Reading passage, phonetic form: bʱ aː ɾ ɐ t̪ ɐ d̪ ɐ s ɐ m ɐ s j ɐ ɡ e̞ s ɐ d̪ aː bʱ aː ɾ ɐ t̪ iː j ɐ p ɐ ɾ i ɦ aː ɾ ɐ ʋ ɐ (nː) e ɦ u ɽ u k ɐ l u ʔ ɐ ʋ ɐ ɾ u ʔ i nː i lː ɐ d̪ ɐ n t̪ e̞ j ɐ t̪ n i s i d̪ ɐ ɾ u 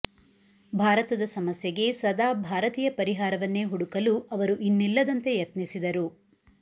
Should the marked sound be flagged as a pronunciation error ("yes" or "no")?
no